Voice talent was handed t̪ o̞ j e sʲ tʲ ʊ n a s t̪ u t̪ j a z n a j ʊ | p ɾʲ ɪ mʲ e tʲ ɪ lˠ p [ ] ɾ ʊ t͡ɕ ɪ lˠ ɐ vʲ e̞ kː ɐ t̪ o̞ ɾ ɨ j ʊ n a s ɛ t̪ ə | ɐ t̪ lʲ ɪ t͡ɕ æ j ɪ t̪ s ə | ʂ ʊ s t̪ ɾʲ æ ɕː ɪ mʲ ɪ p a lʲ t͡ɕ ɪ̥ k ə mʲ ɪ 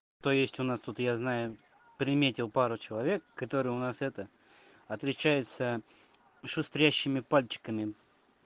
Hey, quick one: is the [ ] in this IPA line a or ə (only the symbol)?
a